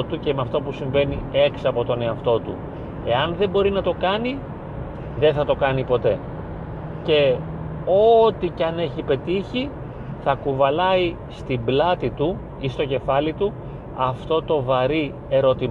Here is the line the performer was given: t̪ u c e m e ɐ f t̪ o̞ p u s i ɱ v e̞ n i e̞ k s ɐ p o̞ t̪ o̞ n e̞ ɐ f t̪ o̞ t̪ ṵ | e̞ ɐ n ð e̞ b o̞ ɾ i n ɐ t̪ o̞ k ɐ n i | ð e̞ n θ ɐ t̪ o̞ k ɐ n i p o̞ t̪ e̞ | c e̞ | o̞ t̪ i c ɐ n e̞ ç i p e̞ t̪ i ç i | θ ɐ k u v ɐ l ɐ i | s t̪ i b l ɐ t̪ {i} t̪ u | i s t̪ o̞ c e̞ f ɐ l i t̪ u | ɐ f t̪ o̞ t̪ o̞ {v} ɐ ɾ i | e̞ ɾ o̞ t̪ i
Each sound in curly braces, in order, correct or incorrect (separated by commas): correct, correct